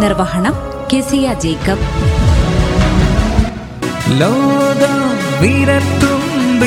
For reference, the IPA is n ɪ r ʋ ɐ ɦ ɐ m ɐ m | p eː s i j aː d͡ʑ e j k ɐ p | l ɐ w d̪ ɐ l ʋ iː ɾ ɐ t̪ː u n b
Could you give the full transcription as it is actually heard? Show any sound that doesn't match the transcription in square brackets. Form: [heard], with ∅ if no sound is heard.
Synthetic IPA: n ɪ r ʋ ɐ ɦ ɐ [ɳ] ɐ m | [k] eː s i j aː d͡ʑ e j k ɐ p | l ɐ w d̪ ɐ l ʋ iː ɾ ɐ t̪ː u [m] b